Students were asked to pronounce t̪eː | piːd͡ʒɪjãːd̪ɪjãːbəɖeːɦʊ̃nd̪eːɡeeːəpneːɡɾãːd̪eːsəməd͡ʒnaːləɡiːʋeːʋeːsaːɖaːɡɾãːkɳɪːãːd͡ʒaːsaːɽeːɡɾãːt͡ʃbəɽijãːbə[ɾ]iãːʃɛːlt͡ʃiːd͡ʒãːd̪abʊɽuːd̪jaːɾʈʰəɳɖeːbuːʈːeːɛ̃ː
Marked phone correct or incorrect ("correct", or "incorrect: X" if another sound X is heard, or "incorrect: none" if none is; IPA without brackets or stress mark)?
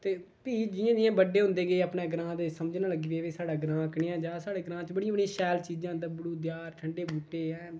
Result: incorrect: ɽ